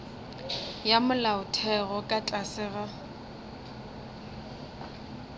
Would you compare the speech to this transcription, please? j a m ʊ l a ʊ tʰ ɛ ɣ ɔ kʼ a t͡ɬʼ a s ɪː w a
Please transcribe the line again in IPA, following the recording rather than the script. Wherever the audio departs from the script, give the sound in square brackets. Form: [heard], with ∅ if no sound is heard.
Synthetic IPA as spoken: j a m ʊ l a ʊ tʰ ɛ ɣ ɔ kʼ a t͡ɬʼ a s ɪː [ɣ] a